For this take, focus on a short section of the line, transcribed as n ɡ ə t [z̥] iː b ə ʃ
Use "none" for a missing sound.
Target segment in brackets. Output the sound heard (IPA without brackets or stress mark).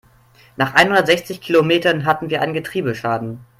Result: ʁ̥